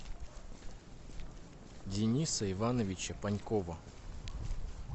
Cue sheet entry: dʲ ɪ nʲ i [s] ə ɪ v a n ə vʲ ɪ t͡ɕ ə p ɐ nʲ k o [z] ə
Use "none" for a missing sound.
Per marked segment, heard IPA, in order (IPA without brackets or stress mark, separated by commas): s, v